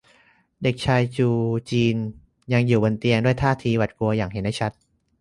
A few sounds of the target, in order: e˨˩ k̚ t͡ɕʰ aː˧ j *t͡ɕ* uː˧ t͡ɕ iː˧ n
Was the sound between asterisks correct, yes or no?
yes